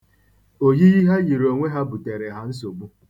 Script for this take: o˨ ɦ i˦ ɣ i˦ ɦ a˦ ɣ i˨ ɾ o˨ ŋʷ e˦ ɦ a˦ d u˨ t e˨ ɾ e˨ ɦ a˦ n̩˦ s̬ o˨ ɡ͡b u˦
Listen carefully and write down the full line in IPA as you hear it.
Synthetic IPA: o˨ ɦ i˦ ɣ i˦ ɦ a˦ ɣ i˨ ɾ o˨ ŋʷ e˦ ɦ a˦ b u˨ t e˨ ɾ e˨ ɦ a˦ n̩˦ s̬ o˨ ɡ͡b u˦